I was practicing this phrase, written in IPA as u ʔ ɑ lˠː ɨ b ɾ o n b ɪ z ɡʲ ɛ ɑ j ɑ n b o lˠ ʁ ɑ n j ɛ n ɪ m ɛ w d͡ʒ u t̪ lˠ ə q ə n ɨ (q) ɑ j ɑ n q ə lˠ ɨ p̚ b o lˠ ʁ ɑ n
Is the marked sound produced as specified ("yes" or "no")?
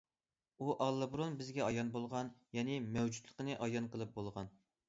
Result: no